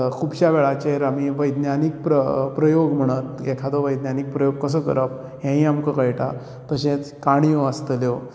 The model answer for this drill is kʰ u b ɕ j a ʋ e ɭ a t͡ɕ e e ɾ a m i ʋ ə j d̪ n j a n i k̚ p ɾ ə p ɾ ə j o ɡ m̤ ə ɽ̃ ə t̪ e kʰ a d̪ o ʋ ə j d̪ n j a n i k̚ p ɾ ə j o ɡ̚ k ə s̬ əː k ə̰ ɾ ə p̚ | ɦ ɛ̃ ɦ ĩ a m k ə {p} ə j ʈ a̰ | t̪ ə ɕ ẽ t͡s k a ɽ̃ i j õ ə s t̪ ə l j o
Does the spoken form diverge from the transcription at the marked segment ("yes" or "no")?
yes